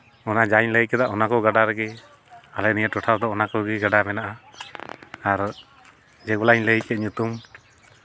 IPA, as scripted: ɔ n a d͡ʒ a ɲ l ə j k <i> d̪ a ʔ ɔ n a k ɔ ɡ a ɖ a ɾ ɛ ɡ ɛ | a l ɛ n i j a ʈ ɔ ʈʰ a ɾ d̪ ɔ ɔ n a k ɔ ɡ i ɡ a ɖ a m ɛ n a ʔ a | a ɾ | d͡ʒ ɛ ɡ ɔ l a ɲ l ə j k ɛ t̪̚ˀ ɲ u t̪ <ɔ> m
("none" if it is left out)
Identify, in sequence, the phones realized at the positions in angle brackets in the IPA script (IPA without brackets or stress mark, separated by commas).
ɛ, u